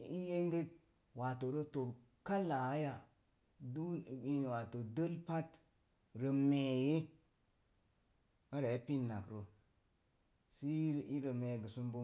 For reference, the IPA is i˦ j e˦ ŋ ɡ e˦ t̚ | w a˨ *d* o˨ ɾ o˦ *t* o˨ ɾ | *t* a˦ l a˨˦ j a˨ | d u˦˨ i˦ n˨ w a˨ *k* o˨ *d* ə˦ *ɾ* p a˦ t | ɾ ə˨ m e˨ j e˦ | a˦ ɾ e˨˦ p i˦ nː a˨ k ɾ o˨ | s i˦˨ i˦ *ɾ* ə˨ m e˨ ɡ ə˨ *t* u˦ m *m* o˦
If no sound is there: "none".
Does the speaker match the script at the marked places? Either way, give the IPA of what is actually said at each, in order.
t, t, k, t, d, l, ɾ, s, b

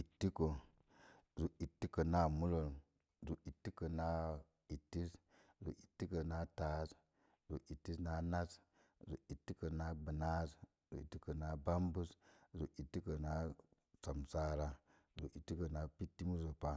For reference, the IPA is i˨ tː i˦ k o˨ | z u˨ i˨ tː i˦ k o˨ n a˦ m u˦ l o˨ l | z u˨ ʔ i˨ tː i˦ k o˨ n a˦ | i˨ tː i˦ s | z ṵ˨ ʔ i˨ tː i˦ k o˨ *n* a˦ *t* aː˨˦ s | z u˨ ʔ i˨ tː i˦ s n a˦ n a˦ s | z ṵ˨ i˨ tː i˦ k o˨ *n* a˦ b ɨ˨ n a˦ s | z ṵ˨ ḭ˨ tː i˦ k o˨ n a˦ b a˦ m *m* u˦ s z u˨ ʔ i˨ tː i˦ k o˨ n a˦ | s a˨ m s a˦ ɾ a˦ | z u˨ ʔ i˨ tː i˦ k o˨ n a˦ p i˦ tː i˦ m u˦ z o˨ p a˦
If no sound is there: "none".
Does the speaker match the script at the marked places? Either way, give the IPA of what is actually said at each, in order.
n, t, n, b

